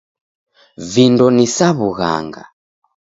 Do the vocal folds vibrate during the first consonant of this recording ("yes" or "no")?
yes